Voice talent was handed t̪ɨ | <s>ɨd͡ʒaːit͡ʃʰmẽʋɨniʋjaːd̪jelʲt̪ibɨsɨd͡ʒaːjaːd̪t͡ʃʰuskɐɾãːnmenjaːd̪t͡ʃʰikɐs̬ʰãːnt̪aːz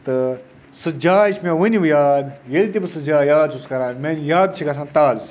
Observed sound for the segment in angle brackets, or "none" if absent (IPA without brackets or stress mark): s